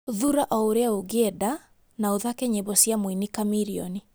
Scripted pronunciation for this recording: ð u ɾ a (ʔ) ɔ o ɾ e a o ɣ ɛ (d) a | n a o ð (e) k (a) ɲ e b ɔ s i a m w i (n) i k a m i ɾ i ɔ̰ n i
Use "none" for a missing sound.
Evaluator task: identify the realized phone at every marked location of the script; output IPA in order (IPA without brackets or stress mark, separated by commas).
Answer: ʔ, d, a, ɛ, n